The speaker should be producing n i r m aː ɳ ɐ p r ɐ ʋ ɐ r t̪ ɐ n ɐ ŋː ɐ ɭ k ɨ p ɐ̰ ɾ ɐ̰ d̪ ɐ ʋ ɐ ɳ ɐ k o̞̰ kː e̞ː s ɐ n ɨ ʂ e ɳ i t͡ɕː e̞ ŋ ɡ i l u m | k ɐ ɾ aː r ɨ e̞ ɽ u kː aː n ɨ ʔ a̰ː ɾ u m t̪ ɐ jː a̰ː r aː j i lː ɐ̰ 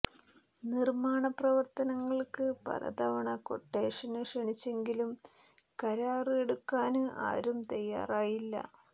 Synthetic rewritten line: n i r m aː ɳ ɐ p r ɐ ʋ ɐ r t̪ ɐ n ɐ ŋː ɐ ɭ k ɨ p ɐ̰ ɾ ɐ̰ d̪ ɐ ʋ ɐ ɳ ɐ k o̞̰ ʈː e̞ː ʂ ɐ n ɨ ʂ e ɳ i t͡ɕː e̞ ŋ ɡ i l u m | k ɐ ɾ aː r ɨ e̞ ɽ u kː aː n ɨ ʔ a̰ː ɾ u m t̪ ɐ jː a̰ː r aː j i lː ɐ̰